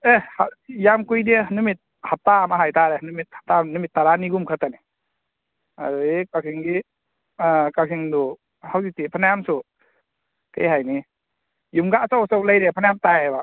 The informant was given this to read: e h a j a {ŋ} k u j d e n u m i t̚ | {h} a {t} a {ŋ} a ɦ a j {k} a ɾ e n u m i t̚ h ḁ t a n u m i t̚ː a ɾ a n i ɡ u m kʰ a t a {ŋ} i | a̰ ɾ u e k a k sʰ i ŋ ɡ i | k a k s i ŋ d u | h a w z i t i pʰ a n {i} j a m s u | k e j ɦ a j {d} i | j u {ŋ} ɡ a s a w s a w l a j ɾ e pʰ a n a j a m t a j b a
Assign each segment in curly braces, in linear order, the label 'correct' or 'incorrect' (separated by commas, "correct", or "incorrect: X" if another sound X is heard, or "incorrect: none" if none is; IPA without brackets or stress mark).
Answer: incorrect: m, correct, correct, incorrect: m, incorrect: t, incorrect: n, incorrect: a, incorrect: n, incorrect: m